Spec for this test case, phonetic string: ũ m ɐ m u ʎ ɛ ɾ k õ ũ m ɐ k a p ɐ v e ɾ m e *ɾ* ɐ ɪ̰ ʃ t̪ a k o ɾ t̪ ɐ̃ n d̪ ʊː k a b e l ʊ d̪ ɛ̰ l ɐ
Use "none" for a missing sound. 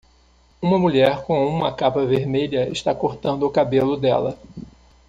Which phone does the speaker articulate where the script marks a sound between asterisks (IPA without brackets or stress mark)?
ʎ